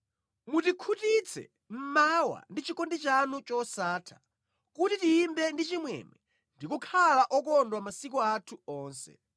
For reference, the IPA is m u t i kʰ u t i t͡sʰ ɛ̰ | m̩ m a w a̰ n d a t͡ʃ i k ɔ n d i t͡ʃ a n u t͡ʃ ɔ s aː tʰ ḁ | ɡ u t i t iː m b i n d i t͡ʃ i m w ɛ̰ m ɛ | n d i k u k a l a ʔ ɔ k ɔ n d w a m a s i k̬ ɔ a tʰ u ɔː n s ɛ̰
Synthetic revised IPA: m u t i kʰ u t i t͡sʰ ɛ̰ | m̩ m a w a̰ n d i t͡ʃ i k ɔ n d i t͡ʃ a n u t͡ʃ ɔ s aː tʰ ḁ | k u t i t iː m b ɛ n d i t͡ʃ i m w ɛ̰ m ɛ | n d i k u kʰ a l a ʔ ɔ k ɔ n d w a m a s i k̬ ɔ a tʰ u ɔː n s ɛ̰